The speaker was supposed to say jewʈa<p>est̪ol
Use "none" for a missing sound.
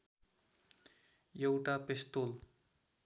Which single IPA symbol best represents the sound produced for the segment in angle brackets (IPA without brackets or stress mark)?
p